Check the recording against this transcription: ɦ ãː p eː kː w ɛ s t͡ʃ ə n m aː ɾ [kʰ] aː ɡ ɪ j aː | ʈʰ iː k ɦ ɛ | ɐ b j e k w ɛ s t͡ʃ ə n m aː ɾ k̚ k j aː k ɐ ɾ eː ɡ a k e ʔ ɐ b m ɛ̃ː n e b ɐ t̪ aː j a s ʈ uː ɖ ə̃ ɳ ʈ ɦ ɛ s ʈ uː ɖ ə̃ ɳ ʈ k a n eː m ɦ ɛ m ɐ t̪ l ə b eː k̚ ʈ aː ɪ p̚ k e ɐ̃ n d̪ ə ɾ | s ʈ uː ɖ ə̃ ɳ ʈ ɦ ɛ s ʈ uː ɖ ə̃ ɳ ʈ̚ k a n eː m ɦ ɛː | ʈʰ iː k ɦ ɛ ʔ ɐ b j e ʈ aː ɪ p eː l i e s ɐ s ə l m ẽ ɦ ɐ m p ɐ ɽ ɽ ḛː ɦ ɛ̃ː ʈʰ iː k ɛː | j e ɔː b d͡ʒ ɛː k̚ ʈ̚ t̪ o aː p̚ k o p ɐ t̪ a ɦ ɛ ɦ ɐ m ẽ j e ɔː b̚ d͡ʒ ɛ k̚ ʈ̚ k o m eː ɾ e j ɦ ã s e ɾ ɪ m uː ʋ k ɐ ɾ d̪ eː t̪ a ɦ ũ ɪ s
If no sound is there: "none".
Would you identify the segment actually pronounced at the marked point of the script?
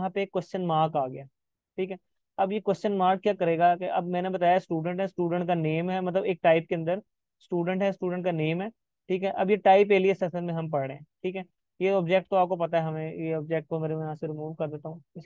k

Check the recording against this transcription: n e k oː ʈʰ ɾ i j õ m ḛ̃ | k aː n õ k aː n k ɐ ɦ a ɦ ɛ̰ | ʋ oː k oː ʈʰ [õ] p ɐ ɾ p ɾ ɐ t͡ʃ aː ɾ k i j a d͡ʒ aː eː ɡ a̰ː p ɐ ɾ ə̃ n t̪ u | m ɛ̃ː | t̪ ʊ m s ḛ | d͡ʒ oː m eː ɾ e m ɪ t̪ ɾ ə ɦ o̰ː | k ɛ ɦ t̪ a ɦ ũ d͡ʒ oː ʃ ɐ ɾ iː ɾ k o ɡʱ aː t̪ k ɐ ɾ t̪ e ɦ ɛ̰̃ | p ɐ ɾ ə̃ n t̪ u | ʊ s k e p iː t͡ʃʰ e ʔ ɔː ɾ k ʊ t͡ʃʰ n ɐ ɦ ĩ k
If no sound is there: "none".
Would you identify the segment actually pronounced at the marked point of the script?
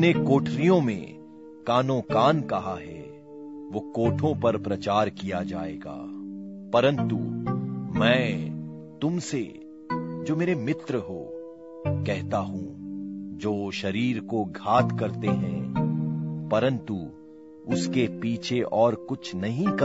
õ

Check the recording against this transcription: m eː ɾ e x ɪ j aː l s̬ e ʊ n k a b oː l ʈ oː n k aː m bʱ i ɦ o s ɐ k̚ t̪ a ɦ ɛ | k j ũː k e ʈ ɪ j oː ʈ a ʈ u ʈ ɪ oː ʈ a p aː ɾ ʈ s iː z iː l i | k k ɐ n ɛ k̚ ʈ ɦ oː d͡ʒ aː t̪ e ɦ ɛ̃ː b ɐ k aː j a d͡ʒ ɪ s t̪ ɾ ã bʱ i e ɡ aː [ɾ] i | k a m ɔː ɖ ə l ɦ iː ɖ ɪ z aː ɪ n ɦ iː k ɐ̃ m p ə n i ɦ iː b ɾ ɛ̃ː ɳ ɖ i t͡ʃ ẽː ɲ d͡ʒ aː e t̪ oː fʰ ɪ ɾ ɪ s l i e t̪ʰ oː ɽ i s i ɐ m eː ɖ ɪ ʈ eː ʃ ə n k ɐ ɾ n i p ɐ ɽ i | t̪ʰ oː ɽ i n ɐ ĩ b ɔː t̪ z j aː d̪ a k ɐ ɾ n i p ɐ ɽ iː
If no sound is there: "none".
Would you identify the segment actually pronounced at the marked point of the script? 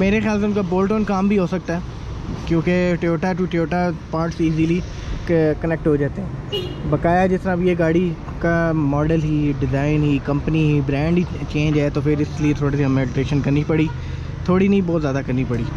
ɽ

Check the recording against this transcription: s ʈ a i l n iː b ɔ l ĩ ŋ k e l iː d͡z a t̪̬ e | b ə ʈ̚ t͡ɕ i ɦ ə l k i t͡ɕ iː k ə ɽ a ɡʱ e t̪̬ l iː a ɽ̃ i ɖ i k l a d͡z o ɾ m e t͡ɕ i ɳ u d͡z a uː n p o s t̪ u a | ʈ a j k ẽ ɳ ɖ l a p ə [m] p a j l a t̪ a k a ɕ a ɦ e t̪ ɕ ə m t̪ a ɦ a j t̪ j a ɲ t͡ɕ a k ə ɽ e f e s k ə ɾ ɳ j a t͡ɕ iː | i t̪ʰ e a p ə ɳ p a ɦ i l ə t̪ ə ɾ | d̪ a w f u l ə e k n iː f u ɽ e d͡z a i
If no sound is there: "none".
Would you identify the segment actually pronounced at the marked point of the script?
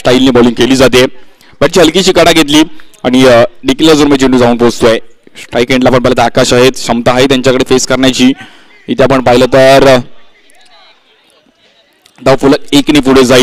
ɳ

